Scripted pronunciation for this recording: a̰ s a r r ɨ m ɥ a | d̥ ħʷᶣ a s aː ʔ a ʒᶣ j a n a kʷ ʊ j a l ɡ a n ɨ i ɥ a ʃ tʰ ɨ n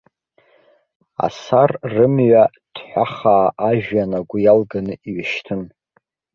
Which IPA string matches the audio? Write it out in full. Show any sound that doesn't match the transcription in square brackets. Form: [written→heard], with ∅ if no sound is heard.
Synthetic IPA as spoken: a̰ s a r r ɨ m ɥ a | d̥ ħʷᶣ a [s→χ] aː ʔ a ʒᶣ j a n a [kʷ→ɡʷ] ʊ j a l ɡ a n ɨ i ɥ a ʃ tʰ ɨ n